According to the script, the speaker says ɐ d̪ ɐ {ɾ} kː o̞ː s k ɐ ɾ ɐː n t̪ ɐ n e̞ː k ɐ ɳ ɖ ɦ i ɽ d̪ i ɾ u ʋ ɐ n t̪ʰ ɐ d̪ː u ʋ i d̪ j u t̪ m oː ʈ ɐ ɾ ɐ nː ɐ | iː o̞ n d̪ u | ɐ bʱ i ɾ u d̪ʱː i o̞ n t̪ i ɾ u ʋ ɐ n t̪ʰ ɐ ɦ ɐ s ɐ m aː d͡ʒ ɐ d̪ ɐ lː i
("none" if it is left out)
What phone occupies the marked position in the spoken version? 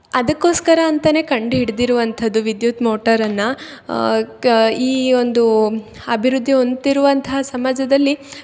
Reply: none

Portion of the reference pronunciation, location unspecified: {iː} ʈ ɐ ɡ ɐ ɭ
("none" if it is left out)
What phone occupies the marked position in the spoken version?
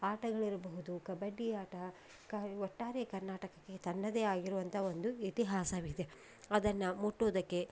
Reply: aː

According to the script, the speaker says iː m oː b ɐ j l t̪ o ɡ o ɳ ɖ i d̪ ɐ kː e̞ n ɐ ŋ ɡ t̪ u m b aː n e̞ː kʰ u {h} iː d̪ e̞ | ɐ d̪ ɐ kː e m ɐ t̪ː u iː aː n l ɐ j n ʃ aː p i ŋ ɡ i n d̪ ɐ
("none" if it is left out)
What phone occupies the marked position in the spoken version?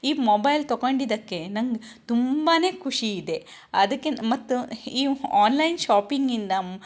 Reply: ʂ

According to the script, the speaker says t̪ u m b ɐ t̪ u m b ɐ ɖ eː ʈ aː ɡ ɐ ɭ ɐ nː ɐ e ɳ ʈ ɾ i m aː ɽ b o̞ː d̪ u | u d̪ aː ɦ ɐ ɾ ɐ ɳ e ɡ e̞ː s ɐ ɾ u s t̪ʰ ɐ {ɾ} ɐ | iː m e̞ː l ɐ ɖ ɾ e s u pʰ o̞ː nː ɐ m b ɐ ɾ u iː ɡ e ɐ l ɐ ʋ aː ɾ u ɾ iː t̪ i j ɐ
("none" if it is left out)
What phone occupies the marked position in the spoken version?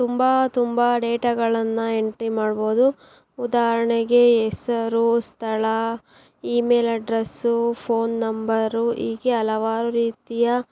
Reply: ɭ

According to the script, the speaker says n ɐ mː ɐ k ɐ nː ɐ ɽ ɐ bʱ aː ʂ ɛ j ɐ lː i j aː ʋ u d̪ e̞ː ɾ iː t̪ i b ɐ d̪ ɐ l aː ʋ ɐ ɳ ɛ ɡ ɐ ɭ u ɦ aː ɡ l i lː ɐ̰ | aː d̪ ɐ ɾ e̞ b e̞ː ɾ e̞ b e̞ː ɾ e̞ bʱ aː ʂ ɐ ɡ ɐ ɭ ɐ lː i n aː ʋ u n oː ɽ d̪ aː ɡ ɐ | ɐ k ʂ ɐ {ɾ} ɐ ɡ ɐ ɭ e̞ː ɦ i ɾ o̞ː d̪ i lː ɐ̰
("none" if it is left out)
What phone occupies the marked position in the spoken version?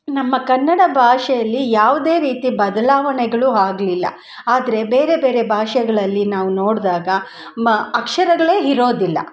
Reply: ɾ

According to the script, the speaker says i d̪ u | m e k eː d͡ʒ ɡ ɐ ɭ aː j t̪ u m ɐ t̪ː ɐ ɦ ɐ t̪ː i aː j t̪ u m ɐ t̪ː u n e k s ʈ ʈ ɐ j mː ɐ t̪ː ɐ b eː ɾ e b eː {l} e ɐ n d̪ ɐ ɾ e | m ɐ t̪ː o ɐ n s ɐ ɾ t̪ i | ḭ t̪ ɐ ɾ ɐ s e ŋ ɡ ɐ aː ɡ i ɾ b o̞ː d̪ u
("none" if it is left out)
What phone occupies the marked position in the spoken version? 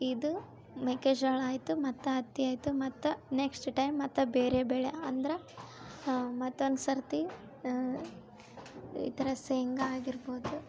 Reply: ɭ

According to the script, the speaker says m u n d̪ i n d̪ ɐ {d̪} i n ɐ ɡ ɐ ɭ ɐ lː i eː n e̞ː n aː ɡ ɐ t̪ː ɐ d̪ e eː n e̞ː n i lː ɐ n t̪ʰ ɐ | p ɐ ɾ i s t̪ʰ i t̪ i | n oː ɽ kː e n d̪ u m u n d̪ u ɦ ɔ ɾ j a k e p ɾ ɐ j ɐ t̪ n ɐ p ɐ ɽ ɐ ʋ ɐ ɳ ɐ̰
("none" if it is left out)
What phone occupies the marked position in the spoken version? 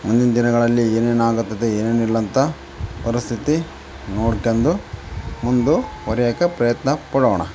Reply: d̪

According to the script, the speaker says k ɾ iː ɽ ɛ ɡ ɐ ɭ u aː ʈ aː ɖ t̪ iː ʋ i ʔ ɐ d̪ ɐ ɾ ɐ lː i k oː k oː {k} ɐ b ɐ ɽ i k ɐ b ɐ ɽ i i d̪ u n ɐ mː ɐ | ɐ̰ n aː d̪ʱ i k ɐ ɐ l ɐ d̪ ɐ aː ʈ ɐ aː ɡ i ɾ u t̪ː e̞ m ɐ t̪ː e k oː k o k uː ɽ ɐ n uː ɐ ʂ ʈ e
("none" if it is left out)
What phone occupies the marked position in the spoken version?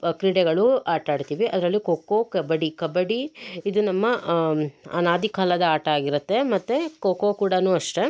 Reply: k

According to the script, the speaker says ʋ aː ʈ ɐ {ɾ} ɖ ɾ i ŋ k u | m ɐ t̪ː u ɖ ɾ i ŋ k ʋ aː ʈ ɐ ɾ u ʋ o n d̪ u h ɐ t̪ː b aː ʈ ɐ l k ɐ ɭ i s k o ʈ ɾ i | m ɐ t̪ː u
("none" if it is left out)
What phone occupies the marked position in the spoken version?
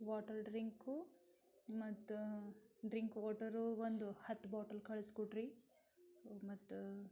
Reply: ɾ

